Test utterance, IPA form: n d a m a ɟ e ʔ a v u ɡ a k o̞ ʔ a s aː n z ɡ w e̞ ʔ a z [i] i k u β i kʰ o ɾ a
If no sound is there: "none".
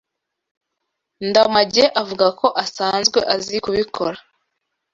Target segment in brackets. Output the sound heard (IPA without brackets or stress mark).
i